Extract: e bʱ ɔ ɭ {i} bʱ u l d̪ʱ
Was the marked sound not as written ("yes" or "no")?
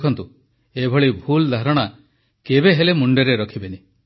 no